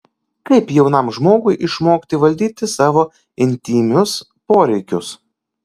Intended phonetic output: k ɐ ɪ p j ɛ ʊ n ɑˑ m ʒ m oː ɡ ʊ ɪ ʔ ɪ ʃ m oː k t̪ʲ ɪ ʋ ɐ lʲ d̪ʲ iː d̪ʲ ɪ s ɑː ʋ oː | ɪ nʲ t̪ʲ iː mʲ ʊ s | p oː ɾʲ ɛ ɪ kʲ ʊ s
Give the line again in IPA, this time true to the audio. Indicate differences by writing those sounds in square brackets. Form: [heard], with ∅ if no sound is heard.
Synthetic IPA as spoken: k ɐ ɪ p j ɛ ʊ n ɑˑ m ʒ m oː ɡ ʊ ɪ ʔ ɪ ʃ m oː k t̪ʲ ɪ ʋ ɐ lʲ d̪ʲ iː [t̪ʲ] ɪ s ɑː ʋ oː | ɪ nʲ t̪ʲ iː mʲ ʊ s | p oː ɾʲ ɛ ɪ kʲ ʊ s